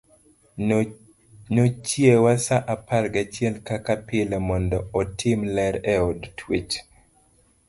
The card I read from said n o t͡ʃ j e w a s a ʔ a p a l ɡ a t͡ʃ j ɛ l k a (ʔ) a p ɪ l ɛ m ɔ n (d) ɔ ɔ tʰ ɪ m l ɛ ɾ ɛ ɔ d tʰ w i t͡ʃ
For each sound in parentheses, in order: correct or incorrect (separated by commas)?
incorrect, correct